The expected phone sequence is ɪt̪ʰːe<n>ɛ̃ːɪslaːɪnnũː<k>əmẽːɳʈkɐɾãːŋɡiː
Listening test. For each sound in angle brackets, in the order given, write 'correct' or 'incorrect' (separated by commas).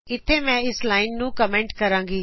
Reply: incorrect, correct